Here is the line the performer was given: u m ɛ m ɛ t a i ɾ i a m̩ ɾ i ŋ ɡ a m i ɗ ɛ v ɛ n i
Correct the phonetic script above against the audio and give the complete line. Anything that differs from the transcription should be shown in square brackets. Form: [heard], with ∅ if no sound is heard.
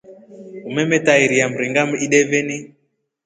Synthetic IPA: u m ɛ m ɛ t a i ɾ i a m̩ ɾ i ŋ ɡ a m i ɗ ɛ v ɛ n i